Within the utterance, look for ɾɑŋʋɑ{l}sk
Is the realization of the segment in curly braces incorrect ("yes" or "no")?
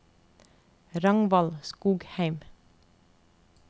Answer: no